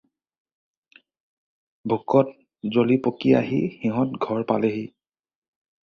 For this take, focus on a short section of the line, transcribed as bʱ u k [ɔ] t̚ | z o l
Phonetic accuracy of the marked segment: correct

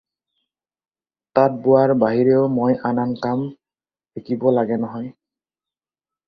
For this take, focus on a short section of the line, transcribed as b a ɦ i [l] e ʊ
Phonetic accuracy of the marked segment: incorrect: ɹ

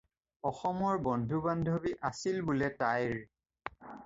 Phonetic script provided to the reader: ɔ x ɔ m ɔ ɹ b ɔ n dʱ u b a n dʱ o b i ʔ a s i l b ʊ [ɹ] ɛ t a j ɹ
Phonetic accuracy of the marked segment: incorrect: l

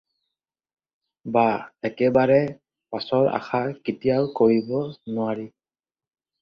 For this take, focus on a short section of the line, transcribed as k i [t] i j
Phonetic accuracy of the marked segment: correct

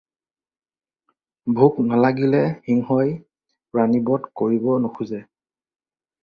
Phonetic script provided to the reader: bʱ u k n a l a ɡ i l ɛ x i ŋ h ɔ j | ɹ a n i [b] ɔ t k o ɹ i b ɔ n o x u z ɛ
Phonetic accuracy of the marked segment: correct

